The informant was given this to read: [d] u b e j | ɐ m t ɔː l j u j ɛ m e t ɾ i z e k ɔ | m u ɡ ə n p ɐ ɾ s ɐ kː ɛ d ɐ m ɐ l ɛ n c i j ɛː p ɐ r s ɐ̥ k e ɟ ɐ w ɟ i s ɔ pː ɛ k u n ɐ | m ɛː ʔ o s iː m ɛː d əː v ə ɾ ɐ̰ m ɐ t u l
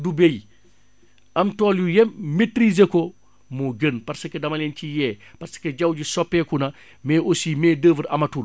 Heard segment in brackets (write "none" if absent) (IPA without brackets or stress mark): d